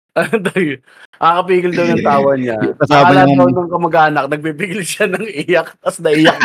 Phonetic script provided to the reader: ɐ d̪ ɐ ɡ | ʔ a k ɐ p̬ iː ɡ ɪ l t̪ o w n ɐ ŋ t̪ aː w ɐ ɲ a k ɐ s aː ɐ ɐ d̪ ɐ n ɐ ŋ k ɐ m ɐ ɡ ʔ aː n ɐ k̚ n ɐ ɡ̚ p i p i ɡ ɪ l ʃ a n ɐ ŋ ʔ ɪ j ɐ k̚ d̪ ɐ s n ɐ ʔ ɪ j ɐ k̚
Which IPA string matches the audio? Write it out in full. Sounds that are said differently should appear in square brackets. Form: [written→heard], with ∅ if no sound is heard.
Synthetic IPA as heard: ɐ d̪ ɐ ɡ | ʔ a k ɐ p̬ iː ɡ ɪ l [t̪→d̪] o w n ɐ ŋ t̪ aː w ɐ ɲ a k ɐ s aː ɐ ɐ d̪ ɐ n ɐ ŋ k ɐ m ɐ ɡ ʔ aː n ɐ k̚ n ɐ ɡ̚ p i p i ɡ ɪ l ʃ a n ɐ ŋ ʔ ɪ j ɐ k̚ [d̪→t̪] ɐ s n ɐ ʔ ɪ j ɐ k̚